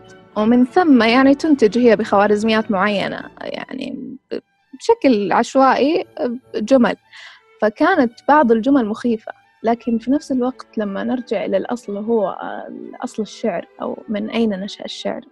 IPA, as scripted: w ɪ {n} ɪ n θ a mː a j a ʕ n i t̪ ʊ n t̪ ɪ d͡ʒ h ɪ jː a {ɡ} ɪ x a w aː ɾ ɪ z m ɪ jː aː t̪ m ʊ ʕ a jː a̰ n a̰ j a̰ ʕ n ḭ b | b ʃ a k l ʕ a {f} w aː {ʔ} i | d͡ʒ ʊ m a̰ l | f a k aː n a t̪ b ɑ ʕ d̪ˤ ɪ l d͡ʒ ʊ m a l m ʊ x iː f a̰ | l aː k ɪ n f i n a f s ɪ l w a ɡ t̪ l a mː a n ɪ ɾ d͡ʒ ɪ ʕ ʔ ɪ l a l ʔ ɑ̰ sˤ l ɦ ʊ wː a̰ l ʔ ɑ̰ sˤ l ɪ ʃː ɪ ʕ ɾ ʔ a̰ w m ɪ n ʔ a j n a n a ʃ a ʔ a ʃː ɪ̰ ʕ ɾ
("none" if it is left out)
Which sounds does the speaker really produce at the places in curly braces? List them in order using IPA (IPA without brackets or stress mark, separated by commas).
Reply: m, b, ʃ, ʔ